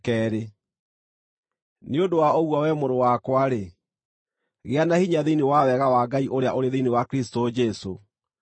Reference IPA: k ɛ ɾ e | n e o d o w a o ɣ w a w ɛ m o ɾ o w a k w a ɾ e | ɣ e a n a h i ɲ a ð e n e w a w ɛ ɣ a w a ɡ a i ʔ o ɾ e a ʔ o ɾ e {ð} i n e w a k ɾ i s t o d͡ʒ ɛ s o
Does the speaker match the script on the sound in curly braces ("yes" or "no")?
yes